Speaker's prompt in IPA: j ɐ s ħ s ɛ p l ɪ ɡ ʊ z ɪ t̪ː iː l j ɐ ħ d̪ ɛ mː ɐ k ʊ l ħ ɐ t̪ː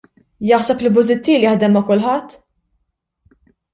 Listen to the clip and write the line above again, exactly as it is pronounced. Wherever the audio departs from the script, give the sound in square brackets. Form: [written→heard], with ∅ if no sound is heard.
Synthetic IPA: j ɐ [s→∅] ħ s ɛ p l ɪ [ɡ→b] ʊ z ɪ t̪ː iː l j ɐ ħ d̪ ɛ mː ɐ k ʊ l ħ ɐ t̪ː